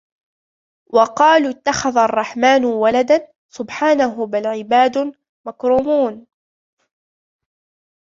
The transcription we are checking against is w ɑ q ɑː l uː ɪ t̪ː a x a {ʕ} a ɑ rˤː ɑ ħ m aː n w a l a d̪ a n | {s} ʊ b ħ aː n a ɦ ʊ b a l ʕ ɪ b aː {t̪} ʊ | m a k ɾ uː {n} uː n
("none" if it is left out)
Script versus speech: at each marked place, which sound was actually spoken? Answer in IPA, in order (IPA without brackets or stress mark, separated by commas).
ð, s, d̪, m